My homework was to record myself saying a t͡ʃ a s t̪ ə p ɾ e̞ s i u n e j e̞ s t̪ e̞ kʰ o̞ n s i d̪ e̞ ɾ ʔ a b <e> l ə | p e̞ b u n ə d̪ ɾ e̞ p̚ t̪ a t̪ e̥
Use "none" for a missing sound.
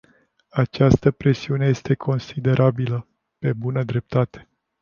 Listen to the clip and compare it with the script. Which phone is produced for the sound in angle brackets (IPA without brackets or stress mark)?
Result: i